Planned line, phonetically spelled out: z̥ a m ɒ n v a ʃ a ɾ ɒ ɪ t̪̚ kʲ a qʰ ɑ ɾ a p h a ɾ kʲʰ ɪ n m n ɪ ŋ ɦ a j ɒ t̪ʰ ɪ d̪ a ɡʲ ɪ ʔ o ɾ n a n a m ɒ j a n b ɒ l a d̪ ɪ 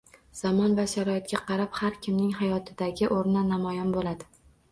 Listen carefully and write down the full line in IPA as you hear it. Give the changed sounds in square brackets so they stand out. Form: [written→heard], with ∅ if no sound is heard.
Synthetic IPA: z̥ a m ɒ n v a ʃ a ɾ ɒ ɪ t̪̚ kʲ a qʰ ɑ ɾ a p h a ɾ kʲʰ ɪ [n→∅] m n ɪ ŋ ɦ a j ɒ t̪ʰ ɪ d̪ a ɡʲ ɪ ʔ o ɾ n a n a m ɒ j a n b [ɒ→o] l a d̪ ɪ